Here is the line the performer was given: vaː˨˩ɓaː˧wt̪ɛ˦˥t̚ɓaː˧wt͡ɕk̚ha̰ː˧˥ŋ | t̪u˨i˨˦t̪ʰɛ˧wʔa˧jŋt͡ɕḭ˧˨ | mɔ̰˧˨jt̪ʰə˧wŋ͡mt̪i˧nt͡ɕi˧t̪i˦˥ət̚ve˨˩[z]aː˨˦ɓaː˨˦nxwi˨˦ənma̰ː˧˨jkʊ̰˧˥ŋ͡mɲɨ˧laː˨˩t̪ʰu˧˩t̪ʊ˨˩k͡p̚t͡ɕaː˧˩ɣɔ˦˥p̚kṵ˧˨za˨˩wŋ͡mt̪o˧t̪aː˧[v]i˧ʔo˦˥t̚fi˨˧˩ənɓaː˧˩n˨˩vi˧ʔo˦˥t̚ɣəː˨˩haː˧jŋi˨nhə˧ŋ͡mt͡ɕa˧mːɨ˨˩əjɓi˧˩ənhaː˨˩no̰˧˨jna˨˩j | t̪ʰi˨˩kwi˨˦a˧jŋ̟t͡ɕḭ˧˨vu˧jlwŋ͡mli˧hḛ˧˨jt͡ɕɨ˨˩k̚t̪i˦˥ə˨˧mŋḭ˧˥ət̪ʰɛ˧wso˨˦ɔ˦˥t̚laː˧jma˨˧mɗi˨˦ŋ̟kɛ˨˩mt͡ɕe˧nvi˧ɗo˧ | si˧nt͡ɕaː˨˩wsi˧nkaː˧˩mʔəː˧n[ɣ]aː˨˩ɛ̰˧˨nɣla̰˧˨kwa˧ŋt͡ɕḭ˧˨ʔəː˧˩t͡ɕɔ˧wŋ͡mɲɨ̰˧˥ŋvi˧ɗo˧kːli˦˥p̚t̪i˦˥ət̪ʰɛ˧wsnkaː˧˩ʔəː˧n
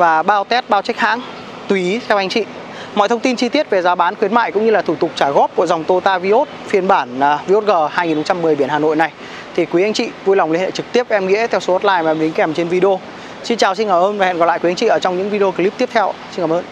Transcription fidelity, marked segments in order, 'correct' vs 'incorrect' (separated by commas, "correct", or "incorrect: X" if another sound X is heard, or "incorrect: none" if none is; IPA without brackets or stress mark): correct, correct, incorrect: v